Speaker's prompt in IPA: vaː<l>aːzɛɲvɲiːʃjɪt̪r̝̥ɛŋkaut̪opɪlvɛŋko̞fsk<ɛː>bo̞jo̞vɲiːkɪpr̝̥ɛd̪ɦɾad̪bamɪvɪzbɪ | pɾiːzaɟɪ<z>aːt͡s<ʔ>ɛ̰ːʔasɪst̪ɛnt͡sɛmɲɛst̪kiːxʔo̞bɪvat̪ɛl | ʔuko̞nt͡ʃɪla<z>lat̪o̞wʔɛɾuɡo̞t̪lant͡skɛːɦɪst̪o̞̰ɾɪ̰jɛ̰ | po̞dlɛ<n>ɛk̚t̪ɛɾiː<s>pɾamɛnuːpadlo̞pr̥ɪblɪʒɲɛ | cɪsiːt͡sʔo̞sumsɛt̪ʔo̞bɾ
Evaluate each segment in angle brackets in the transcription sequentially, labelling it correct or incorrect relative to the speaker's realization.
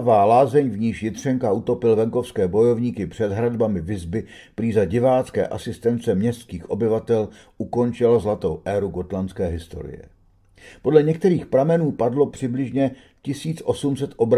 correct, correct, incorrect: v, incorrect: k, correct, incorrect: ɲ, incorrect: x

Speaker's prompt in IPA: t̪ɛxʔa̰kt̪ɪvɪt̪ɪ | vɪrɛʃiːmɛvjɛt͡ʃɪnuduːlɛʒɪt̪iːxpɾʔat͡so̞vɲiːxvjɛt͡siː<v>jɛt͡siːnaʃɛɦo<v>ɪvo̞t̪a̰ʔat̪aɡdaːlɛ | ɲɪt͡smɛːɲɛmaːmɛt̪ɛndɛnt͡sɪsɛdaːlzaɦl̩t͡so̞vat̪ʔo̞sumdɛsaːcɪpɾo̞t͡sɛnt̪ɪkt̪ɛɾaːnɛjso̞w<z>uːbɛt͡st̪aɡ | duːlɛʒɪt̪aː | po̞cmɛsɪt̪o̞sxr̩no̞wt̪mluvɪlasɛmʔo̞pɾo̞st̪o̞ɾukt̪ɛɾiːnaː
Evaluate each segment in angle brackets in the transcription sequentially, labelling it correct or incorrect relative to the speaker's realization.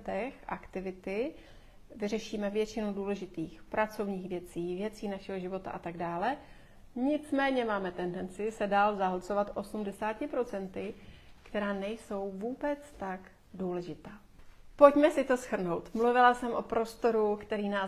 correct, incorrect: ʒ, incorrect: v

